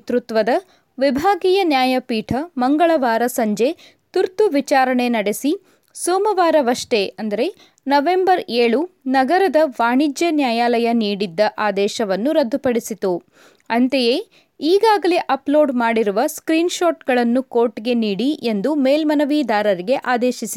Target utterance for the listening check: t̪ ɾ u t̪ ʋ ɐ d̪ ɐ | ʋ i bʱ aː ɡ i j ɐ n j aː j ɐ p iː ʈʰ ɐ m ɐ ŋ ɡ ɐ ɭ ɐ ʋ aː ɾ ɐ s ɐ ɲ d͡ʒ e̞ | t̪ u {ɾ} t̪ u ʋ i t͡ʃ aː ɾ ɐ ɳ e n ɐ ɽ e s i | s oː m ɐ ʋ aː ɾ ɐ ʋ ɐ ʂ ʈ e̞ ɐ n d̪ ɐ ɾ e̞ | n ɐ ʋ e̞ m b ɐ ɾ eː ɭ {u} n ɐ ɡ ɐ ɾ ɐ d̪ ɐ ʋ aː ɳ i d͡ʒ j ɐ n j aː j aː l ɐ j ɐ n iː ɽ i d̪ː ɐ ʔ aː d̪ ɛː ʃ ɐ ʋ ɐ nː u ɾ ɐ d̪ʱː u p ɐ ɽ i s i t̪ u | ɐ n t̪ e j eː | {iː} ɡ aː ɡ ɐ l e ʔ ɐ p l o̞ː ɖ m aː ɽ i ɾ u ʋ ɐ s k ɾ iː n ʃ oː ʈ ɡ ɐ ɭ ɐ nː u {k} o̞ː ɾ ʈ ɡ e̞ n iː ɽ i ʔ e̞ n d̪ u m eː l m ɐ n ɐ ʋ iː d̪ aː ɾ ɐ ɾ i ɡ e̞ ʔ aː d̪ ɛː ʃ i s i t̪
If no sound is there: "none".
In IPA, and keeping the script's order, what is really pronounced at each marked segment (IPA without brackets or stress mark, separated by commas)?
ɾ, u, iː, k